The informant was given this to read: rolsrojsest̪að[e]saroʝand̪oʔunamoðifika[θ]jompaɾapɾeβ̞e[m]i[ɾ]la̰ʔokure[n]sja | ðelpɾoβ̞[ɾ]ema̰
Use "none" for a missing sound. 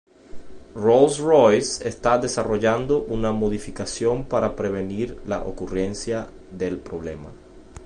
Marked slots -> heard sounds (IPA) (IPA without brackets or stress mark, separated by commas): e, s, n, ɾ, n, l